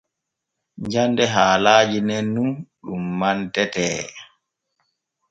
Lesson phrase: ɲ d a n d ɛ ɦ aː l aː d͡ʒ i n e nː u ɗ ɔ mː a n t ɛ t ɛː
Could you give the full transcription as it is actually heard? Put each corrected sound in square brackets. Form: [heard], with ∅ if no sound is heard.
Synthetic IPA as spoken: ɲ [d͡ʒ] a n d ɛ ɦ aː l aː d͡ʒ i n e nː u ɗ [u] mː a n t ɛ t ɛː